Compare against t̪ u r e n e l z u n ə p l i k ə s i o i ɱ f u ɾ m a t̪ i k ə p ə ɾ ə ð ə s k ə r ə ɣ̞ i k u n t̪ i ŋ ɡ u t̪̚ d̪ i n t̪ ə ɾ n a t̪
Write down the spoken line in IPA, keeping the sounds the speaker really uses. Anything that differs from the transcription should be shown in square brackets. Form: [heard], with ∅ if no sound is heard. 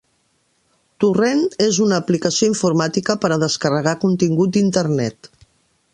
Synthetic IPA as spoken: t̪ u r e n e [∅] z u n [əː] p l i k ə s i o i ɱ f u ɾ m a t̪ i k ə p ə ɾ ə ð ə s k ə r ə ɣ̞ [a] k u n t̪ i ŋ ɡ u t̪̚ d̪ i n t̪ ə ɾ n [ɛ] t̪